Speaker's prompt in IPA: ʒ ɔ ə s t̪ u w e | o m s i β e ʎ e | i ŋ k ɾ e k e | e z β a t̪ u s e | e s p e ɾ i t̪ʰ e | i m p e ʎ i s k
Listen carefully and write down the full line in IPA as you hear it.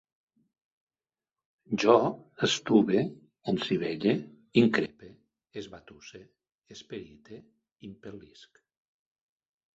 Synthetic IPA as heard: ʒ ɔ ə s t̪ u β e | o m s i β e ʎ e | i ŋ k ɾ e p e | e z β a t̪ u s e | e s p e ɾ i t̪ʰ e | i m p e l i s k